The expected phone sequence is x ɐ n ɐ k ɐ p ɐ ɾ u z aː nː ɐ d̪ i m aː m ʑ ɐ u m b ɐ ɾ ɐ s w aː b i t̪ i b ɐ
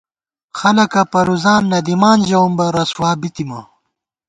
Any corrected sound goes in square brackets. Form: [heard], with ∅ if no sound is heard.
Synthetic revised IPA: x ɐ n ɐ k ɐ p ɐ ɾ u z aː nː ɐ d̪ i m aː [n] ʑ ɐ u m b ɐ ɾ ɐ s w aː b i t̪ i [m] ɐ

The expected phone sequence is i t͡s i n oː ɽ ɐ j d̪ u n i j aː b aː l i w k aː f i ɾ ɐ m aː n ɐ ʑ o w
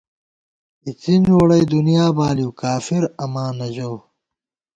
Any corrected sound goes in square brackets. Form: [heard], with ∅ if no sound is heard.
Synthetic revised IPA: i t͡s i n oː ɽ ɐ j d̪ u n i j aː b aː l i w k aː f i ɾ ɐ m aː n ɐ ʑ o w

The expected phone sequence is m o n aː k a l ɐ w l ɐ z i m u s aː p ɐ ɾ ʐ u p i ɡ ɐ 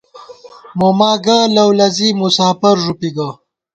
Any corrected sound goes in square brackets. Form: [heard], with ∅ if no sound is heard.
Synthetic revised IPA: m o [m] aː [ɡ] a l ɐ w l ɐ z i m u s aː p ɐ ɾ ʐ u p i ɡ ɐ

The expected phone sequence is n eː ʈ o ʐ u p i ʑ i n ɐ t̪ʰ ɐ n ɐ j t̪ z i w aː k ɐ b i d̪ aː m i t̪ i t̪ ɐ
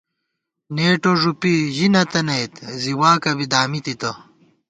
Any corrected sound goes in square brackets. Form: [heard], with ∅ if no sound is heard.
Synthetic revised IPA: n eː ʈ o ʐ u p i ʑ i n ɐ [t̪] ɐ n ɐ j t̪ z i w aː k ɐ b i d̪ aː m i t̪ i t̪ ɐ

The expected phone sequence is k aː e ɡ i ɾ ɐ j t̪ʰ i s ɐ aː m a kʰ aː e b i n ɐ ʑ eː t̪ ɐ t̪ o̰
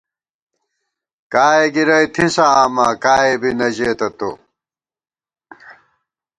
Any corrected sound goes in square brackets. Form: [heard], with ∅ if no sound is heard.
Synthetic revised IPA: k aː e ɡ i ɾ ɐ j t̪ʰ i s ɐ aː m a [k] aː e b i n ɐ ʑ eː t̪ ɐ t̪ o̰

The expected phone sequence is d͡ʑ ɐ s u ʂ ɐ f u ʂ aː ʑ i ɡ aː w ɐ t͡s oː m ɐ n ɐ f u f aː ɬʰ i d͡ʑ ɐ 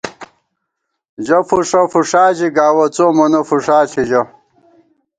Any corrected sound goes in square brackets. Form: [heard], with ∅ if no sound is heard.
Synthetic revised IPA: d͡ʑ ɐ [f] u ʂ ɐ f u ʂ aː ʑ i ɡ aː w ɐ t͡s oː m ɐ n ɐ f u [ʂ] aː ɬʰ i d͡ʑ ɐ

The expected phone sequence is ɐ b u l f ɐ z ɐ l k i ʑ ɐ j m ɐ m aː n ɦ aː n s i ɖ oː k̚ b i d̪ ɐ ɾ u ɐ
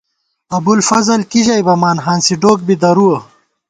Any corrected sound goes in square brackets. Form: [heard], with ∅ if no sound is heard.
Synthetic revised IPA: ɐ b u l f ɐ z ɐ l k i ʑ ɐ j [b] ɐ m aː n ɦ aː n s i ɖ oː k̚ b i d̪ ɐ ɾ u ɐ

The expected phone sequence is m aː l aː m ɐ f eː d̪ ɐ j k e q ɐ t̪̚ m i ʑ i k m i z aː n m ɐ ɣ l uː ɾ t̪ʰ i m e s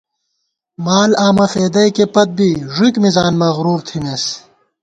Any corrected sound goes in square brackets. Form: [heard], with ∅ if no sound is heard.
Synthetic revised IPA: m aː l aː m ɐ f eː d̪ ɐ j k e [p] ɐ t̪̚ [b] i [ʐ] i k m i z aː n m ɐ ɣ [ɾ] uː ɾ t̪ʰ i m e s

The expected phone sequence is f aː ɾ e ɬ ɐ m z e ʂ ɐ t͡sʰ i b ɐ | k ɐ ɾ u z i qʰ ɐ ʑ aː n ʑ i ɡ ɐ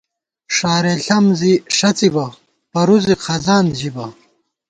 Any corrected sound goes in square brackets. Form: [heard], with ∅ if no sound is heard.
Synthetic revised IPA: [ʂ] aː ɾ e ɬ ɐ m z [i] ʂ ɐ [t͡s] i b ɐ | [p] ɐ ɾ u z i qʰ ɐ [z] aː n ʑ i [b] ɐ

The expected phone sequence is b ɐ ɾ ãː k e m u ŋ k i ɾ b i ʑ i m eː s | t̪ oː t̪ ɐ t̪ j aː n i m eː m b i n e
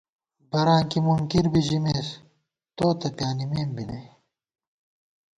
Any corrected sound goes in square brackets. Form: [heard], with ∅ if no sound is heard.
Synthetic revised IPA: b ɐ ɾ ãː k [i] m u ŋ k i ɾ b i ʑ i m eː s | t̪ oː t̪ ɐ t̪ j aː n i m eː m b i n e

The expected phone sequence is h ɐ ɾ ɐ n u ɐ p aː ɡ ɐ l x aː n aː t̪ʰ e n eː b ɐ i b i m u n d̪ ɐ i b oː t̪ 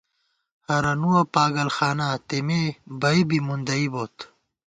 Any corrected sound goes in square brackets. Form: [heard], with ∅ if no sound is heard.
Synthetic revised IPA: h ɐ ɾ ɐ n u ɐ p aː ɡ ɐ l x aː n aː [t̪] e [m] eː b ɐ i b i m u n d̪ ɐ i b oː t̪

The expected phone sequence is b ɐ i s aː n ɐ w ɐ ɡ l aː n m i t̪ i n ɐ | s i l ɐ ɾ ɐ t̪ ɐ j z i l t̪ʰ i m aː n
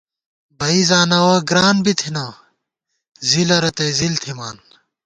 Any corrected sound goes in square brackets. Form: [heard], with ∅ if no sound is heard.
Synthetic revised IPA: b ɐ i [z] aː n ɐ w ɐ ɡ [ɾ] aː n [b] i [t̪ʰ] i n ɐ | [z] i l ɐ ɾ ɐ t̪ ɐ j z i l t̪ʰ i m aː n

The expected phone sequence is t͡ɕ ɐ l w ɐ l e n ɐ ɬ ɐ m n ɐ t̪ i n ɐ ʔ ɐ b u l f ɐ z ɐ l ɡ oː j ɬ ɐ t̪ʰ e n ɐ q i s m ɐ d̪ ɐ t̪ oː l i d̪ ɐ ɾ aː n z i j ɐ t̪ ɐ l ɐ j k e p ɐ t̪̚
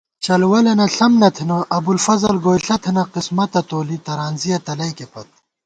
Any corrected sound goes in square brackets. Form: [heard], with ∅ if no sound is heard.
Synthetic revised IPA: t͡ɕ ɐ l w ɐ l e n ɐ ɬ ɐ m n ɐ [t̪ʰ] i n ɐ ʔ ɐ b u l f ɐ z ɐ l ɡ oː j ɬ ɐ t̪ʰ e n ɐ q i s m ɐ [t̪] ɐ t̪ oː l i [t̪] ɐ ɾ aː n z i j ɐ t̪ ɐ l ɐ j k e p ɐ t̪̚

